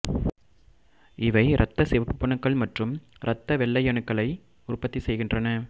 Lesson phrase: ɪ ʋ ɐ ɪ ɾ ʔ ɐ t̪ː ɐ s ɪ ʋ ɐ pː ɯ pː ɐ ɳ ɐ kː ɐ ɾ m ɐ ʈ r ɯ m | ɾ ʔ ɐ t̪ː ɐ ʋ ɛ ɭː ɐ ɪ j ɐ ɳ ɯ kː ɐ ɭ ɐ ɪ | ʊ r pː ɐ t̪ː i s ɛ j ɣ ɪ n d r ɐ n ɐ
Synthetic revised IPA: ɪ ʋ ɐ ɪ ɾ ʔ ɐ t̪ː ɐ s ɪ ʋ ɐ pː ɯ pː ɐ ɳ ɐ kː ɐ ɭ m ɐ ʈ r ɯ m | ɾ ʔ ɐ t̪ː ɐ ʋ ɛ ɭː ɐ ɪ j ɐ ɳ ɯ kː ɐ ɭ ɐ ɪ | ʊ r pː ɐ t̪ː i s ɛ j ɣ ɪ n d r ɐ n ɐ